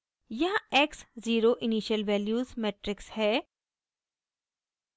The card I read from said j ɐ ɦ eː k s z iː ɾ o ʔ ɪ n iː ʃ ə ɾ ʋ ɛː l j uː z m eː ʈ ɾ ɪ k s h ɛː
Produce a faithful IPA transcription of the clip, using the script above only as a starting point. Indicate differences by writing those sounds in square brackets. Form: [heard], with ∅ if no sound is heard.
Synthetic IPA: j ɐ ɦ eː k s z iː ɾ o ʔ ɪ n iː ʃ ə [l] ʋ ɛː l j uː z m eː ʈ ɾ ɪ k s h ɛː